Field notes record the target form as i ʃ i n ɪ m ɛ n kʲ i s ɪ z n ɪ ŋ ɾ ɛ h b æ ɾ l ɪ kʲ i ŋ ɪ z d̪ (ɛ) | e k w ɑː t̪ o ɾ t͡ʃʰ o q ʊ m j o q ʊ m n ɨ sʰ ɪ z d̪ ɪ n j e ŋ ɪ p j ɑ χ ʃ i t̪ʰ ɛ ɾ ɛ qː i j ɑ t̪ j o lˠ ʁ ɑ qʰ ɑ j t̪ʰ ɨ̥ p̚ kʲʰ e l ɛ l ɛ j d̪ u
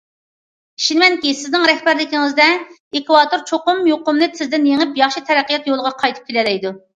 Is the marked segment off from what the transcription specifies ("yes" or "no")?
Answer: no